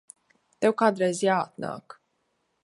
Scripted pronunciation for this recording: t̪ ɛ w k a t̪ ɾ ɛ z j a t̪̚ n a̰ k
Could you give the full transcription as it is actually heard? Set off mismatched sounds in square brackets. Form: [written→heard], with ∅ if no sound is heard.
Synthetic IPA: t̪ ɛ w k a [t̪→d̪] ɾ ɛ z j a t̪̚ n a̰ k